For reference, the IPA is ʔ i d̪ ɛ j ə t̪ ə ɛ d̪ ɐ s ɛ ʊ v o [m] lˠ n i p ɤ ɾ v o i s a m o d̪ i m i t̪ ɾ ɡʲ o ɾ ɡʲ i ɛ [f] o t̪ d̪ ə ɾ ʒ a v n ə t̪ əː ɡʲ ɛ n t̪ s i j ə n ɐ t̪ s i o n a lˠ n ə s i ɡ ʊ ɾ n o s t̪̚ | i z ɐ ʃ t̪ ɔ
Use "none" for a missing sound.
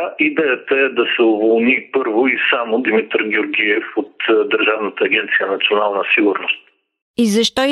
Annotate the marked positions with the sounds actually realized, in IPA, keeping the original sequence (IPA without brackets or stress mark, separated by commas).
none, f